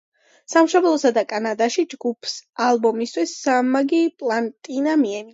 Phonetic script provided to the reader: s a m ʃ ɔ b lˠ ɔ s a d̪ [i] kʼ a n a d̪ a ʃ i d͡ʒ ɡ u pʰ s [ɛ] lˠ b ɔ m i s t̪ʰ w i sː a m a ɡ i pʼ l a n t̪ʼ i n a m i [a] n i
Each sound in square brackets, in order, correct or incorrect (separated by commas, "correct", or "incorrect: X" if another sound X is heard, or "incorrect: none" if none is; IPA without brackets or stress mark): incorrect: a, incorrect: a, incorrect: ɛ